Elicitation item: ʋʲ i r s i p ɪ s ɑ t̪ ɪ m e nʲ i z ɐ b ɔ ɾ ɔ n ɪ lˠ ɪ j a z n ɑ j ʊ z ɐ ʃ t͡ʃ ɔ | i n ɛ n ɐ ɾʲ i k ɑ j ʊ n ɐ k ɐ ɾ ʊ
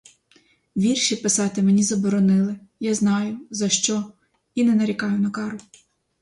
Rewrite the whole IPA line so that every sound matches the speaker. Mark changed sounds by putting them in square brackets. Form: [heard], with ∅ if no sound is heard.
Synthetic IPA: ʋʲ i r [ʃ] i p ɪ s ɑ t̪ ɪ m e nʲ i z ɐ b ɔ ɾ ɔ n ɪ lˠ ɪ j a z n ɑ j ʊ z ɐ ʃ t͡ʃ ɔ | i n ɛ n ɐ ɾʲ i k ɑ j ʊ n ɐ k [ɑ] ɾ ʊ